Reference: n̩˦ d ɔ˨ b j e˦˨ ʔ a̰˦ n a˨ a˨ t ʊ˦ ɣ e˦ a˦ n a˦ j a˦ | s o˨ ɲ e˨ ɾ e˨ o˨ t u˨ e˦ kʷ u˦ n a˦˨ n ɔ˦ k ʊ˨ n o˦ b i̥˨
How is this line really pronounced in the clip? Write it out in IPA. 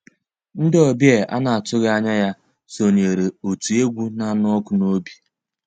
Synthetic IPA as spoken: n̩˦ d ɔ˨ b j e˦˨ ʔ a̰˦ n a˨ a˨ t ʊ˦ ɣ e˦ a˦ ɲ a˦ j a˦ | s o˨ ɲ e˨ ɾ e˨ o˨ t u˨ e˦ ɡʷ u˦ n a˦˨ n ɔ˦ k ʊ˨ n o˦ b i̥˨